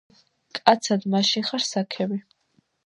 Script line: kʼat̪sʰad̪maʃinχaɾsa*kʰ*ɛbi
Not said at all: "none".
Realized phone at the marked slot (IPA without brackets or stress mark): kʰ